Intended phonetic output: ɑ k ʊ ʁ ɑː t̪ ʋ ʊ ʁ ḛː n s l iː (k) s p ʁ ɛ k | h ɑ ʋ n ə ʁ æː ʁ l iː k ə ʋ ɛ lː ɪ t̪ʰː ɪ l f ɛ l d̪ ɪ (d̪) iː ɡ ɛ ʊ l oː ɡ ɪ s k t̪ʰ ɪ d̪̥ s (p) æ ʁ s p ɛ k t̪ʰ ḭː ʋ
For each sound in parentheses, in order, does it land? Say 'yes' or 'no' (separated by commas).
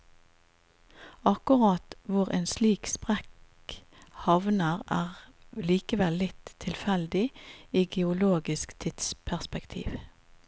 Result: yes, no, no